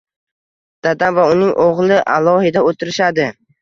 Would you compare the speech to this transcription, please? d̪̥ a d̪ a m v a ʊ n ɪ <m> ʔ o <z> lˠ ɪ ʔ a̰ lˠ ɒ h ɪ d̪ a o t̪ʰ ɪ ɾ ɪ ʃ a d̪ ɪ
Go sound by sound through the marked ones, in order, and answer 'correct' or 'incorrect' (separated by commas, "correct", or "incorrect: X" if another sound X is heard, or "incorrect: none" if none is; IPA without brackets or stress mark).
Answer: incorrect: ŋ, incorrect: ʁ